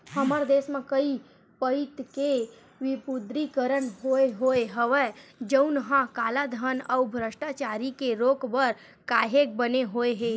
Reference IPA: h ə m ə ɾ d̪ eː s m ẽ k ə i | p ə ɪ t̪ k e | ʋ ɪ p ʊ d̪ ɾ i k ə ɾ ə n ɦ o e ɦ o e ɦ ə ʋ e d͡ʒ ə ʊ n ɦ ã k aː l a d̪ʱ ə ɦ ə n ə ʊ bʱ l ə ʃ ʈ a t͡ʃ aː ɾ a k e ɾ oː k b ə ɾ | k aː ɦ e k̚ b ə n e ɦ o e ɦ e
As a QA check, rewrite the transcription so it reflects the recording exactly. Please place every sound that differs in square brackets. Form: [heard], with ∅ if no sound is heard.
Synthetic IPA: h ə m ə ɾ d̪ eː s m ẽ k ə i | p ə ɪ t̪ k e | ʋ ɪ p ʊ d̪ ɾ i k ə ɾ ə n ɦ o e ɦ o e ɦ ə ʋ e d͡ʒ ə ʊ n ɦ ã k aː l a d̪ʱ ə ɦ ə n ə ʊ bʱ [ɾ] ə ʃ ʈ a t͡ʃ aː ɾ [i] k e ɾ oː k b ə ɾ | k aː ɦ e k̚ b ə n e ɦ o e ɦ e